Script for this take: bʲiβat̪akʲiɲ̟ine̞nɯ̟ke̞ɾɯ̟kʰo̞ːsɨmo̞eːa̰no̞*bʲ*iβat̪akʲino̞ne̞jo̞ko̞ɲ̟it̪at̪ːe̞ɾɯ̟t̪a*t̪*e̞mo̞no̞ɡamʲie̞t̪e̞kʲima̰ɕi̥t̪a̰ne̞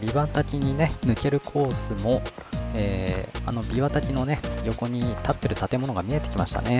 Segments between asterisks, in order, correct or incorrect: correct, correct

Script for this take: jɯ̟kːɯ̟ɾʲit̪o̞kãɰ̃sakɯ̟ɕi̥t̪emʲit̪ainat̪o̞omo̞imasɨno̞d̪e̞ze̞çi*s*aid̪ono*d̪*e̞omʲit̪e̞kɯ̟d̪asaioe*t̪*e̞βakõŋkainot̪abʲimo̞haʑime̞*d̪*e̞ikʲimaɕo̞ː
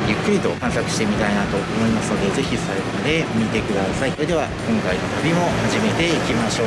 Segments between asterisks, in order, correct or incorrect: correct, correct, incorrect, incorrect

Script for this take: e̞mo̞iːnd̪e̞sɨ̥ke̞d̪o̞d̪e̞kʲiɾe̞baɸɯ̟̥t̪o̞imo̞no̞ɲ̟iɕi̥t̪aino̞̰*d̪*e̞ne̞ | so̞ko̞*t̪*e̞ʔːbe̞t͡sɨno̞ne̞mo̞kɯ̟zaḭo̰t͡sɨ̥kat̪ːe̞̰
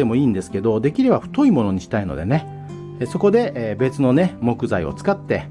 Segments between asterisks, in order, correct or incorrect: correct, incorrect

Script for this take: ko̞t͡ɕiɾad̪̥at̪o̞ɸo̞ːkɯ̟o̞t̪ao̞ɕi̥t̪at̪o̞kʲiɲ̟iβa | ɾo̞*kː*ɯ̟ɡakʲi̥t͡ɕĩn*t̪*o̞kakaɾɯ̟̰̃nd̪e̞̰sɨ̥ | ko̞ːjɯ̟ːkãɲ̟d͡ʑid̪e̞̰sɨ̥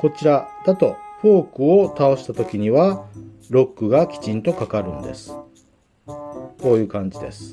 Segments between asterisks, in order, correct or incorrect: correct, correct

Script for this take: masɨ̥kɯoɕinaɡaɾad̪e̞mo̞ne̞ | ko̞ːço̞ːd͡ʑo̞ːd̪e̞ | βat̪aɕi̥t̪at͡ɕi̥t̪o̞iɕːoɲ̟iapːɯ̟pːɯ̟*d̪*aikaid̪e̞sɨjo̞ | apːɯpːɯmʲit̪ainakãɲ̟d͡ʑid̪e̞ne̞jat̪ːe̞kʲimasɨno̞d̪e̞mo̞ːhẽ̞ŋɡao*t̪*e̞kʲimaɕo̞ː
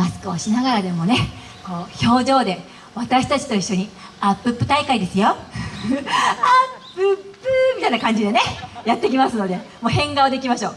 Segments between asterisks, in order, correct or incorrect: incorrect, incorrect

